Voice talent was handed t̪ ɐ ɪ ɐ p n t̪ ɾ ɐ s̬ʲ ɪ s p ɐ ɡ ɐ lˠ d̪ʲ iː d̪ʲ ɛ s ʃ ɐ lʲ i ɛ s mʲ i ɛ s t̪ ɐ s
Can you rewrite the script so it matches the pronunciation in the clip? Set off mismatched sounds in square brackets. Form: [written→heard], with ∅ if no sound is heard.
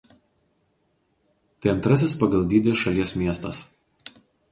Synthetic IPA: t̪ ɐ ɪ ɐ [p→∅] n t̪ ɾ ɐ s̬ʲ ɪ s p ɐ ɡ ɐ lˠ d̪ʲ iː d̪ʲ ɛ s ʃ ɐ lʲ i ɛ s mʲ i ɛ s t̪ ɐ s